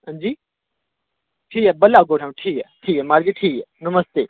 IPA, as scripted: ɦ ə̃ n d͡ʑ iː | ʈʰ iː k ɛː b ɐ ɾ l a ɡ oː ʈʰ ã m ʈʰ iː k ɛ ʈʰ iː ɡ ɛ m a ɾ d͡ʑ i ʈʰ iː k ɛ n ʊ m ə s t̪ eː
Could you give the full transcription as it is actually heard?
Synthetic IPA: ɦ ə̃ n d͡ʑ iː | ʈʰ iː k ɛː b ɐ l a ɡ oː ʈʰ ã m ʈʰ iː k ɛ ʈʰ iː k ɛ m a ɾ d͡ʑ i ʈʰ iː k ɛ n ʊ m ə s t̪ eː